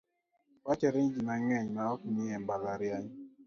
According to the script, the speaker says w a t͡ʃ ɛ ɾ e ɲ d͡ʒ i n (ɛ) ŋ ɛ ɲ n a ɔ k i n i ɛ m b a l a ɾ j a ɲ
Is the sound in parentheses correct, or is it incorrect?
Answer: incorrect: a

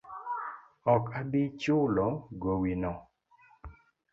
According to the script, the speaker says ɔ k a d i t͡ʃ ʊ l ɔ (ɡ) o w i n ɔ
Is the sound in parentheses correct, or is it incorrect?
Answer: correct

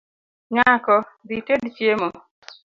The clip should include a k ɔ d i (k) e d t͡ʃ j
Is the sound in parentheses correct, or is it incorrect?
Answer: incorrect: t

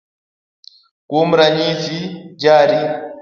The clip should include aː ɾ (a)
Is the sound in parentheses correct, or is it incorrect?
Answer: incorrect: i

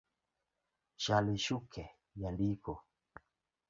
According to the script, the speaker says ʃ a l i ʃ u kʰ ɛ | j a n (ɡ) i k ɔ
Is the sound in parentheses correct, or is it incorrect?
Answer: incorrect: d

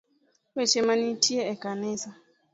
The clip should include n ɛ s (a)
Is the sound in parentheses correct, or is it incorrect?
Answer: correct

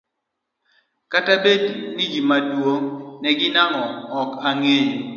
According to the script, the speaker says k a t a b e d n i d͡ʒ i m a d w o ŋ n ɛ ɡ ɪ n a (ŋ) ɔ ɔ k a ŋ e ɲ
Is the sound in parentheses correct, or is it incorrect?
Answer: correct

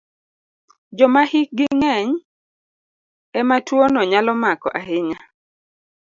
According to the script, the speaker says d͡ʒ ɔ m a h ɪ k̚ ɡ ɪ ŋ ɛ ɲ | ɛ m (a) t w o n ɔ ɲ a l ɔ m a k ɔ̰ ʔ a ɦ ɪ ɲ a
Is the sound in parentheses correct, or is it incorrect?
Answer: correct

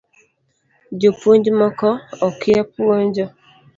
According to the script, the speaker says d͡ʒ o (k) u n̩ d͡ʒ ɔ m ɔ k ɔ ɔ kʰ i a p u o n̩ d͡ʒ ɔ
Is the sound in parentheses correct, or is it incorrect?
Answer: incorrect: p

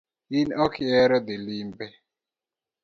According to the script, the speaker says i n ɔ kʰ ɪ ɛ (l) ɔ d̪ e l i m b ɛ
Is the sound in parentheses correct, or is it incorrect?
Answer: incorrect: ɾ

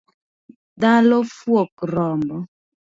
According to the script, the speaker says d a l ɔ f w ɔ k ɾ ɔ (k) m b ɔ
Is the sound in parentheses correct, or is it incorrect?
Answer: incorrect: none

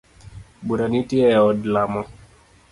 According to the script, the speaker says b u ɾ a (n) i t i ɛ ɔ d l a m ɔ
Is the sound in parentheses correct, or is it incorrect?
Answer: correct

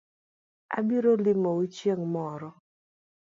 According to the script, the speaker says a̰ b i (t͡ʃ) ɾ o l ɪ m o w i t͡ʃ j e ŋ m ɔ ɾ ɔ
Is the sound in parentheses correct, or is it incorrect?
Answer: incorrect: none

